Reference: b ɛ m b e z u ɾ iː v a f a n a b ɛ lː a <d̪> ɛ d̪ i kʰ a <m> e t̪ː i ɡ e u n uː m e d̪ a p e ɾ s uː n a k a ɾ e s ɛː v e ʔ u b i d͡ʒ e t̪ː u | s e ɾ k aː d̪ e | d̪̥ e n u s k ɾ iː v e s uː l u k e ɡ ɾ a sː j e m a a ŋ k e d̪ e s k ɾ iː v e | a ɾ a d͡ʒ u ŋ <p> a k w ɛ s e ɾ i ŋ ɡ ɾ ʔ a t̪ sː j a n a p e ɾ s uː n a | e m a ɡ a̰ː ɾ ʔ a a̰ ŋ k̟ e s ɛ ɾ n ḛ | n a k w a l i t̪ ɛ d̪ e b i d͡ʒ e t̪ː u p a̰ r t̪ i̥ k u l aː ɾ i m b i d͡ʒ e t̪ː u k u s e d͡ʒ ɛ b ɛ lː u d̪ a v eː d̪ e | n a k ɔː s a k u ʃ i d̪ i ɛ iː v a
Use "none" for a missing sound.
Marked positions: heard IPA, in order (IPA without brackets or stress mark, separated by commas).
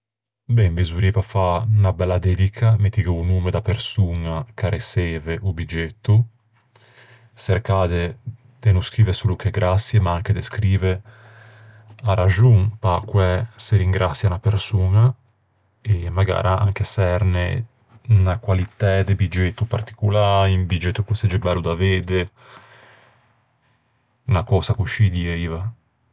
d̪, m, p